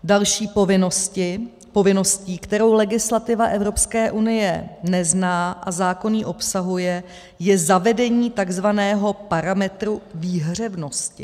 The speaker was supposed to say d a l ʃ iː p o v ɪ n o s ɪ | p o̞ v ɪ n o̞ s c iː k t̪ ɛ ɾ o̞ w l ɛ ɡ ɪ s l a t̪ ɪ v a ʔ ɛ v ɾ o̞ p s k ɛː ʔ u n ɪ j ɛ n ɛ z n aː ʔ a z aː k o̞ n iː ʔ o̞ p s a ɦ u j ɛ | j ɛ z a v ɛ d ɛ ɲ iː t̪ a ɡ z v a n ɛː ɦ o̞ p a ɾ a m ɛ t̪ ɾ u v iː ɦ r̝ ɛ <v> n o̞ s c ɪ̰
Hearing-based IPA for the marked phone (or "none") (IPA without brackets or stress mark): v